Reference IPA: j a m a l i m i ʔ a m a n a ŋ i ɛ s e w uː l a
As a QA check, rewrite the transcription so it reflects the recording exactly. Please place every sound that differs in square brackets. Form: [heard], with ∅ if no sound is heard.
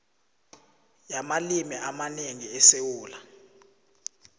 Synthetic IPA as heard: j a m a l i m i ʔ a m a n [e] ŋ i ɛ s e w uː l a

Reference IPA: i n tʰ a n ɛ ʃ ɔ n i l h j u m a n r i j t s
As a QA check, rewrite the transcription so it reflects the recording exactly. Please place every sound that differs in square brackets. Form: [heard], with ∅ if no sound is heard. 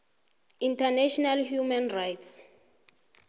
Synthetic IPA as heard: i n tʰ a n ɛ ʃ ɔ n [a] l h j u m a n r [a] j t s

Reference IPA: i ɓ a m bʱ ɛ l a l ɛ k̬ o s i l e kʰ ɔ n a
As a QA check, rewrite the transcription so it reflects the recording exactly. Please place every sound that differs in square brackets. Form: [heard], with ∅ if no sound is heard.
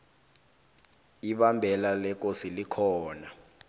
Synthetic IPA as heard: i ɓ a m bʱ ɛ l a l ɛ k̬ o s i l [i] kʰ [ɔː] n a

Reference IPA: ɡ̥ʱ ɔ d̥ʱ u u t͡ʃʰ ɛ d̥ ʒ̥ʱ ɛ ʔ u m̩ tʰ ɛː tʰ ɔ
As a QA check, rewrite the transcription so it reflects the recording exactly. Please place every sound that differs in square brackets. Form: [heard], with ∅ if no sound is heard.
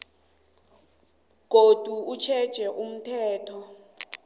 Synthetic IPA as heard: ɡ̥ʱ [o] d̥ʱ u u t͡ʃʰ ɛ d̥ ʒ̥ʱ ɛ ʔ u m̩ tʰ ɛː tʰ ɔ

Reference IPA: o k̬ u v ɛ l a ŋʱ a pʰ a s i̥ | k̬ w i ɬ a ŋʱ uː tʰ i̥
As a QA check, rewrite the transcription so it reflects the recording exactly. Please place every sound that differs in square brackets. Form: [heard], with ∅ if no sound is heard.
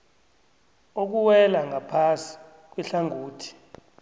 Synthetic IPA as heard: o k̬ u [w] ɛ l a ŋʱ a pʰ a s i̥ | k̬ w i ɬ a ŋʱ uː tʰ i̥

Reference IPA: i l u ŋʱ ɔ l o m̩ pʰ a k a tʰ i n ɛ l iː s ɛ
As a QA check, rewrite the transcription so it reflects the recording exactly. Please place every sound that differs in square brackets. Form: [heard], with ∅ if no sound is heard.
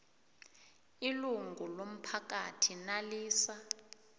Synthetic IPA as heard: i l u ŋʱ [u] l o m̩ pʰ a k a tʰ i n [a] l iː s [a]

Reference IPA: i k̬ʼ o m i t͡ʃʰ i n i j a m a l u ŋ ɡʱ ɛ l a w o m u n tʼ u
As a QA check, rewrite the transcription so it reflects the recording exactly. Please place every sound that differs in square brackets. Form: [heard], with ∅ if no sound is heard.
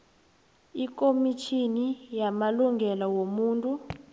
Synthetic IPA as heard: i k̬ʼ o m i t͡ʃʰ i n i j a m a l u ŋ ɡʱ ɛ l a w o m [uː] n tʼ u

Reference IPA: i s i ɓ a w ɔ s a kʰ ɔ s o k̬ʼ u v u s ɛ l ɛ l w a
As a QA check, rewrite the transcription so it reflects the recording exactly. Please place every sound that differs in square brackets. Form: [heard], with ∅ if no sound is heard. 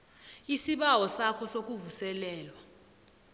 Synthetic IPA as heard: i s i ɓ a w ɔ s a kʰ ɔ s o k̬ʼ u v u s ɛ l [ɛː] l w a

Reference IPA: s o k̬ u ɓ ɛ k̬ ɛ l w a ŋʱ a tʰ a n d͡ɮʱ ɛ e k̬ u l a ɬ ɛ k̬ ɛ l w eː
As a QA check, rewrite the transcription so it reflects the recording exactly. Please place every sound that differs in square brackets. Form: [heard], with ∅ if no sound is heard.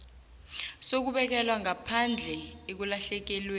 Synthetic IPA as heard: s o k̬ u ɓ ɛ k̬ ɛ l w a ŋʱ a [pʰ] a n d͡ɮʱ ɛ e k̬ u l a ɬ ɛ k̬ ɛ l w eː

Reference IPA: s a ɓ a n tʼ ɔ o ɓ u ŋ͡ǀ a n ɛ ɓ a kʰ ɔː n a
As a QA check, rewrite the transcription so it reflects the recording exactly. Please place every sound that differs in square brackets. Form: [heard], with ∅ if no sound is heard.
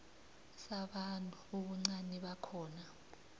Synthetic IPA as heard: s a ɓ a n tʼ [u] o ɓ u ŋ͡ǀ a n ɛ ɓ a kʰ ɔː n a

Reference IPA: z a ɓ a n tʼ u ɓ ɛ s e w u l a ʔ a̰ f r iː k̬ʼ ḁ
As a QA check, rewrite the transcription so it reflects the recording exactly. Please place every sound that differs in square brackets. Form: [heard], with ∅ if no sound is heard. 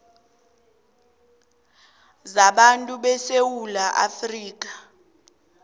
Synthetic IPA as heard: z a ɓ a n tʼ u ɓ ɛ s e w u l a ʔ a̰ f r iː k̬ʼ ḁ

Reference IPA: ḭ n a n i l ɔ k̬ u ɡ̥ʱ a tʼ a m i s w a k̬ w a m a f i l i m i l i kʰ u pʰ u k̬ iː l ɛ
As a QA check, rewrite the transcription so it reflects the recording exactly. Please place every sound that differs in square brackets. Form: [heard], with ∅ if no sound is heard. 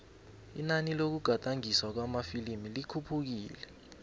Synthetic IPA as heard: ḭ n a n i l [o] k̬ u ɡ̥ʱ a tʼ a [ŋ] i s w a k̬ w a m a f i l i m i l i kʰ u pʰ u k̬ iː l ɛ

